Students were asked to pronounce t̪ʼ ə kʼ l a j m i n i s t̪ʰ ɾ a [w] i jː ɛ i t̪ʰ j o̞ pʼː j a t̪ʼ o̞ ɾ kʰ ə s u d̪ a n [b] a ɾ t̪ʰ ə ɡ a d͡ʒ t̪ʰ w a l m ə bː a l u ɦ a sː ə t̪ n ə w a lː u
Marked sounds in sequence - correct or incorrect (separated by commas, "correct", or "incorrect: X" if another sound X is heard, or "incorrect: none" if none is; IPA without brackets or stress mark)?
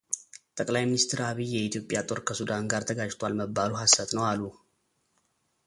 incorrect: β, incorrect: ɡ